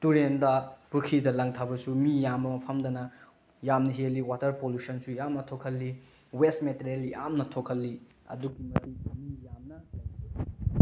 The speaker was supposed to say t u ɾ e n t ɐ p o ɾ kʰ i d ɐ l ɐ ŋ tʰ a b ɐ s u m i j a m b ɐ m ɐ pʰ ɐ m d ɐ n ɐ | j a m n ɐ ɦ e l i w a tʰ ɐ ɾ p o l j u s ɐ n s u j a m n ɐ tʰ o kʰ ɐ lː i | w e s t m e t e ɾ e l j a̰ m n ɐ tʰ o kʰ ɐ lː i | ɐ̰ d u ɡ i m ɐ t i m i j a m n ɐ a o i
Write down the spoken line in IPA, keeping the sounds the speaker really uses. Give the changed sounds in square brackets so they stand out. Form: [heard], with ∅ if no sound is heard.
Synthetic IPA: t u ɾ e n [d] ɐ p [u] ɾ kʰ i d ɐ l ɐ ŋ tʰ a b ɐ s u m i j a m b ɐ m ɐ pʰ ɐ m d ɐ n ɐ | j a m n ɐ ɦ e l i w a [t] ɐ ɾ p o l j u s ɐ n s u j a m n ɐ tʰ o kʰ ɐ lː i | w e s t m e t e ɾ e l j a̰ m n ɐ tʰ o kʰ ɐ lː i | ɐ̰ d u ɡ i m ɐ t i m i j a m n ɐ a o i